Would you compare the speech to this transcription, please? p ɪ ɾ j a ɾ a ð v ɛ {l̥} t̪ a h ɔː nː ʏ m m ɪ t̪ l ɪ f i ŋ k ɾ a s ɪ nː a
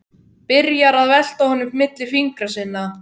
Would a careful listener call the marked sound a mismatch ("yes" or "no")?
no